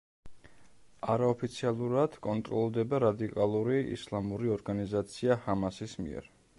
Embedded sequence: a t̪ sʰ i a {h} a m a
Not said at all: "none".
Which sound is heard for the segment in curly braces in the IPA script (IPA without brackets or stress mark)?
h